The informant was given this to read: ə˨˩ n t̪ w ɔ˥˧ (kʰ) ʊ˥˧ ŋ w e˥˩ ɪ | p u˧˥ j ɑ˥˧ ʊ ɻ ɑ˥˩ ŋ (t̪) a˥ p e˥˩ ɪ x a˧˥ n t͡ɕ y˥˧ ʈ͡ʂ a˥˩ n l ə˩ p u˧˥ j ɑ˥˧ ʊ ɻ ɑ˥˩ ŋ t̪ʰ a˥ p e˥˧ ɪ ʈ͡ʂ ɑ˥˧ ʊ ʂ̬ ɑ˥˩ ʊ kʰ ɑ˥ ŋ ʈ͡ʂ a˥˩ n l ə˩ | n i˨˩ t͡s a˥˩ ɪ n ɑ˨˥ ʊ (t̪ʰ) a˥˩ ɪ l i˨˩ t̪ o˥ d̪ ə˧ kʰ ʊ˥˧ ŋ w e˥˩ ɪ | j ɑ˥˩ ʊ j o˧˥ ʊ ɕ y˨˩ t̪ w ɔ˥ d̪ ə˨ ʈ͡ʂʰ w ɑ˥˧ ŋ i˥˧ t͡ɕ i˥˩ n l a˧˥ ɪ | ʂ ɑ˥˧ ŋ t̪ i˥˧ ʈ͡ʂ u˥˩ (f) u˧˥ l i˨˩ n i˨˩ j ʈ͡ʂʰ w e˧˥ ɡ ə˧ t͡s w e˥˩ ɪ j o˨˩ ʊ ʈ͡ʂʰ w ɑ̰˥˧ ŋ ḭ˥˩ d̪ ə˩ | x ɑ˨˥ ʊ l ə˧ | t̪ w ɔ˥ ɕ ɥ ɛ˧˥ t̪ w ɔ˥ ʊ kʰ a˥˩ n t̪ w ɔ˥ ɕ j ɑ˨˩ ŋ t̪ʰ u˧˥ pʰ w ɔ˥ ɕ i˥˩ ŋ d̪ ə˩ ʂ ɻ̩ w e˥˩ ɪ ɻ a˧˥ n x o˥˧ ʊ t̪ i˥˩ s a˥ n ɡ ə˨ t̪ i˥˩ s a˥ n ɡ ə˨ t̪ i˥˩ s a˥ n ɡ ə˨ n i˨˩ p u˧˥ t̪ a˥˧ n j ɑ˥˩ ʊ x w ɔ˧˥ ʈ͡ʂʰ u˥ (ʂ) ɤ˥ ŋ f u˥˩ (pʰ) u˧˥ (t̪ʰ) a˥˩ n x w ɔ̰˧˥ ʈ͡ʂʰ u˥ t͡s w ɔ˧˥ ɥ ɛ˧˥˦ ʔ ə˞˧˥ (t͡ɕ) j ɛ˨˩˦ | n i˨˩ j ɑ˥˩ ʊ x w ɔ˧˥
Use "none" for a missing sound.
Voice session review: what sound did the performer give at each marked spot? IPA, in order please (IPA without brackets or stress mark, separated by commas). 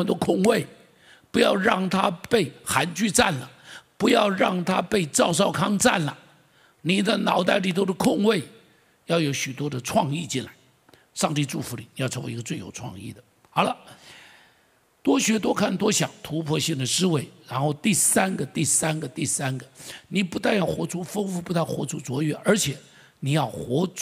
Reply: kʰ, t̪ʰ, t̪, f, f, p, t̪, t͡ɕʰ